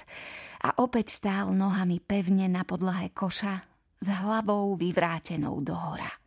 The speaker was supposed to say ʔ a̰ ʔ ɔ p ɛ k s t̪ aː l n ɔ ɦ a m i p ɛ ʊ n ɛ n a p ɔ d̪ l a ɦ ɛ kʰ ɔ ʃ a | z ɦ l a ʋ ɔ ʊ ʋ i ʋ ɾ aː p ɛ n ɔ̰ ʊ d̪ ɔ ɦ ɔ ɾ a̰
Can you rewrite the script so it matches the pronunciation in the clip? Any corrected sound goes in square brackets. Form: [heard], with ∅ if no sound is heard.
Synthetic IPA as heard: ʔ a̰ ʔ ɔ p ɛ [c] s t̪ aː l n ɔ ɦ a m i p ɛ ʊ [ɲ] ɛ n a p ɔ d̪ l a ɦ ɛ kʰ ɔ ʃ a | z ɦ l a ʋ ɔ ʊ ʋ i ʋ ɾ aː [c] ɛ n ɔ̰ ʊ d̪ ɔ ɦ ɔ ɾ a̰